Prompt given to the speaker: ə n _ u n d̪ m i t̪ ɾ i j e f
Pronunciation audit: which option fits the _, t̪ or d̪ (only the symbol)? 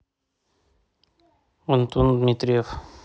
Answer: t̪